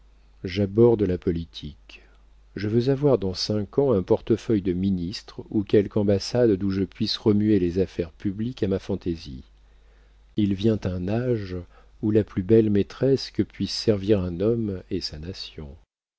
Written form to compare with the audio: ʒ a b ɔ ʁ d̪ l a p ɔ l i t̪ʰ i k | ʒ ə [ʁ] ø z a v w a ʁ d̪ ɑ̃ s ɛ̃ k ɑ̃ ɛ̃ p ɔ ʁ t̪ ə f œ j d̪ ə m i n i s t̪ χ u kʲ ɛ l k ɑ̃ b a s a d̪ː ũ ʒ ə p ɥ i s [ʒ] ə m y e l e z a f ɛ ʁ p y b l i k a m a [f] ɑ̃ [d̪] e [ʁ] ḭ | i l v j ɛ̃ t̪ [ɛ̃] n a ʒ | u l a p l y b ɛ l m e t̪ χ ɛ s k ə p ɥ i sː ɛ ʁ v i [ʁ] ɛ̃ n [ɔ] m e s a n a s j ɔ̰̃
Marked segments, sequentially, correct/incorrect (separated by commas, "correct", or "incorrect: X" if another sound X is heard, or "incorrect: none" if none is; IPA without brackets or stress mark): incorrect: v, incorrect: ʁ, correct, incorrect: t̪, incorrect: z, correct, correct, correct